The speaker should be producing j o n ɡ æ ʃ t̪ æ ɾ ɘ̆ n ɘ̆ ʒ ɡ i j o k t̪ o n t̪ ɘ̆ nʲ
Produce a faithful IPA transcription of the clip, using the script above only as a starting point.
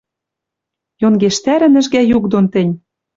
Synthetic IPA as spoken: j o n ɡ e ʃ t̪ æ ɾ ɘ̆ n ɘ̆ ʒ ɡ æ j u k d̪ o n t̪ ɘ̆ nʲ